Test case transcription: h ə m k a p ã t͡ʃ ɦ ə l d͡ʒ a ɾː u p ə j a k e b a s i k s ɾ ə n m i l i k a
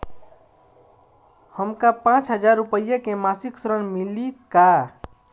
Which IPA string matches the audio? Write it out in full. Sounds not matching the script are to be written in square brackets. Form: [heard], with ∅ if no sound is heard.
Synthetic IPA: h ə m k a p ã t͡ʃ ɦ ə [∅] d͡ʒ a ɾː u p ə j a k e [m] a s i k s ɾ ə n m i l i k a